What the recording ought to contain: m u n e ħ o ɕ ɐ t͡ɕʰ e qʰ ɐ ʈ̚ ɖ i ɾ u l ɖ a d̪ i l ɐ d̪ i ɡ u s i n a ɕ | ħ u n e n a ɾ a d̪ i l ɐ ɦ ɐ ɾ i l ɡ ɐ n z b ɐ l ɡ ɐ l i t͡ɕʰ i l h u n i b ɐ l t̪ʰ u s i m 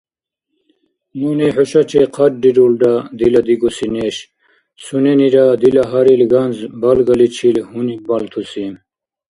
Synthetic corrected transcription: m u n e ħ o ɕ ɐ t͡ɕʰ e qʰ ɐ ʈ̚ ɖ i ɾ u l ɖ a d̪ i l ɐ d̪ i ɡ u s i n e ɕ | s u n e n i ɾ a d̪ i l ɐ ɦ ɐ ɾ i l ɡ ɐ n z b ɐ l ɡ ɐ l i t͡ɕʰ i l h u n i b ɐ l t̪ʰ u s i m